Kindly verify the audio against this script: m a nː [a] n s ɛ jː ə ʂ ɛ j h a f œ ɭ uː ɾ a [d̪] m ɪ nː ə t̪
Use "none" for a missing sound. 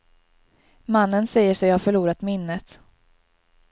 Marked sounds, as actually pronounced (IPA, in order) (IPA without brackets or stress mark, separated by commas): ə, t̪